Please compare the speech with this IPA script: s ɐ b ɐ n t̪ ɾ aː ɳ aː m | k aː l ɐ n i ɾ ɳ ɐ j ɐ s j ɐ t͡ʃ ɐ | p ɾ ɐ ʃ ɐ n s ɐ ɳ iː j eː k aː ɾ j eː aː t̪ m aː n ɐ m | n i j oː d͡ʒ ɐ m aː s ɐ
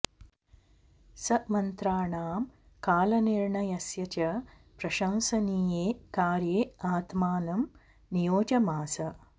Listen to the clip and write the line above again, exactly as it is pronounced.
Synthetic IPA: s ɐ m ɐ n t̪ ɾ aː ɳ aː m | k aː l ɐ n i ɾ ɳ ɐ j ɐ s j ɐ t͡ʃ ɐ | p ɾ ɐ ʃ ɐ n s ɐ n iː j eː k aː ɾ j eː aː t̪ m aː n ɐ m | n i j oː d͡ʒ ɐ m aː s ɐ

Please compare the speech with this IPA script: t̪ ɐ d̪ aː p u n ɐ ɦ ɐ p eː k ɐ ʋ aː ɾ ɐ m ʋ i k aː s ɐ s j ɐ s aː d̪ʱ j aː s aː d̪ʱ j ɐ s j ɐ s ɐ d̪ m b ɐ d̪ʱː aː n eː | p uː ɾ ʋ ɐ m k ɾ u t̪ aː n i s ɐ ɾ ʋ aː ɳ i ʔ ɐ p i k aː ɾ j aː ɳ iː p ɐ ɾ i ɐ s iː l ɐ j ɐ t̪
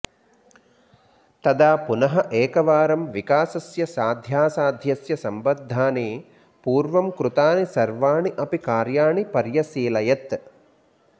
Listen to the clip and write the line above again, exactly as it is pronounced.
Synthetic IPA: t̪ ɐ d̪ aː p u n ɐ ɦ ɐ ʔ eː k ɐ ʋ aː ɾ ɐ m ʋ i k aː s ɐ s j ɐ s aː d̪ʱ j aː s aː d̪ʱ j ɐ s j ɐ s ɐ m b ɐ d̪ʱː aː n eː | p uː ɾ ʋ ɐ m k ɾ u t̪ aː n i s ɐ ɾ ʋ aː ɳ i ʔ ɐ p i k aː ɾ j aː ɳ i p ɐ ɾ j ɐ s iː l ɐ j ɐ t̪

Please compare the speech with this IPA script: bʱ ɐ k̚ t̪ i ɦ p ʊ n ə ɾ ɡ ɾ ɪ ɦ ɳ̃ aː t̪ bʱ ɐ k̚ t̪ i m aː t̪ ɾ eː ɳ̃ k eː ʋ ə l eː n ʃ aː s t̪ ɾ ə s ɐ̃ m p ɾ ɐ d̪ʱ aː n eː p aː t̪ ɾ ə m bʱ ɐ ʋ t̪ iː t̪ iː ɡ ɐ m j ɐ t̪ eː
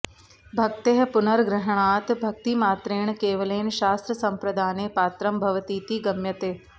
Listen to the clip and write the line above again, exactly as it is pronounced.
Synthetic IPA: bʱ ɐ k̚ t̪ e ɦ p ʊ n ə ɾ ɡ ɾ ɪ ɦ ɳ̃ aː t̪ bʱ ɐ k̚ t̪ i m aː t̪ ɾ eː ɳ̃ k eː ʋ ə l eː n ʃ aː s t̪ ɾ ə s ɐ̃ m p ɾ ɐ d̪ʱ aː n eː p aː t̪ ɾ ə m bʱ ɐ ʋ t̪ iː t̪ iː ɡ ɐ m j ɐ t̪ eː

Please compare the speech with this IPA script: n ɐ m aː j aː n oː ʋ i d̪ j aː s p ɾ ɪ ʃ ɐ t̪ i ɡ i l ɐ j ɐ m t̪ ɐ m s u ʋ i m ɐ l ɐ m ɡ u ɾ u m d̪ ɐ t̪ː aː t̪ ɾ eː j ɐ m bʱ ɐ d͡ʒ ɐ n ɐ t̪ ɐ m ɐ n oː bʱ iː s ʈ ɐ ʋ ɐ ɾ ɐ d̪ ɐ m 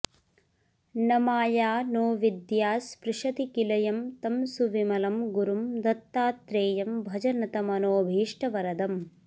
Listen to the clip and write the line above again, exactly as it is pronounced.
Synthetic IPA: n ɐ m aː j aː n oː ʋ i d̪ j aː s p ɾ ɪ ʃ ɐ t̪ i k i l ɐ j ɐ m t̪ ɐ m s u ʋ i m ɐ l ɐ m ɡ u ɾ u m d̪ ɐ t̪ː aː t̪ ɾ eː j ɐ m bʱ ɐ d͡ʒ ɐ n ɐ t̪ ɐ m ɐ n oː bʱ iː ʂ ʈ ɐ ʋ ɐ ɾ ɐ d̪ ɐ m

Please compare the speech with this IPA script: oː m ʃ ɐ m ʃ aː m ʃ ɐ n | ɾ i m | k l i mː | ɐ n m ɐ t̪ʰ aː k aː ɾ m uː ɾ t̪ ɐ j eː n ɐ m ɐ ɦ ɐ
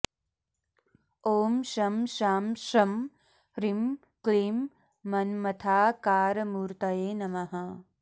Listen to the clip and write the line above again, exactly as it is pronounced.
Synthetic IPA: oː m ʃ ɐ m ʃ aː m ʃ ɐ m | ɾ i m | k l i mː | ɐ n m ɐ t̪ʰ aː k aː ɾ m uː ɾ t̪ ɐ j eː n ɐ m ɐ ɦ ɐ

